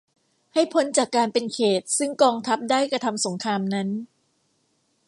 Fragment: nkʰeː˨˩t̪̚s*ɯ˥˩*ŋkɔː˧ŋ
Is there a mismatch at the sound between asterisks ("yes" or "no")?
no